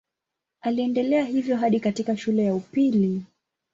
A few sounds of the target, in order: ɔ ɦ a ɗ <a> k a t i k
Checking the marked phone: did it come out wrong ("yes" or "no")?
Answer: yes